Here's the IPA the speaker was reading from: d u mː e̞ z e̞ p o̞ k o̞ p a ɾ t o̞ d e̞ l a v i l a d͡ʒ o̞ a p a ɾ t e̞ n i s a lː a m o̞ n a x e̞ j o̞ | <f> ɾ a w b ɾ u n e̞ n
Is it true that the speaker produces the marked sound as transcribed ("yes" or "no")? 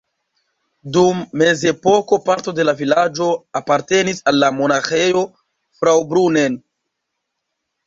yes